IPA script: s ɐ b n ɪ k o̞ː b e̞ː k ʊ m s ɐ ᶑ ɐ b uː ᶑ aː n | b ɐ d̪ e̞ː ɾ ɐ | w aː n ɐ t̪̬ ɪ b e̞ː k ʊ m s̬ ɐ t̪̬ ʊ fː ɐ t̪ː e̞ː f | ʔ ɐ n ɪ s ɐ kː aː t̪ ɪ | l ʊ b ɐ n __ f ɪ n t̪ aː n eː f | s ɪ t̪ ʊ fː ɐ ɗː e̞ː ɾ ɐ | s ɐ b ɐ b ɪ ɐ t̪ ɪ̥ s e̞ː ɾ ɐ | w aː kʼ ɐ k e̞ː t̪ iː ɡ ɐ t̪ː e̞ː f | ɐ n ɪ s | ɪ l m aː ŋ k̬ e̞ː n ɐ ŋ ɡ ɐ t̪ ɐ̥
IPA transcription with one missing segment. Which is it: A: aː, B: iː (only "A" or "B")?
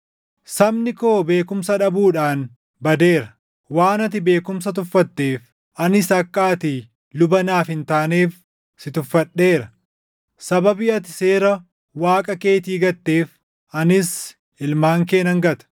A